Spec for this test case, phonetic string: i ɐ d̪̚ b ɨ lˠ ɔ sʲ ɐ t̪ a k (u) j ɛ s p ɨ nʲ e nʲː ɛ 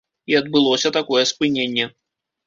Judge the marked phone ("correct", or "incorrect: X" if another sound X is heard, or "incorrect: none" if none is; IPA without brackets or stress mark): incorrect: ɔ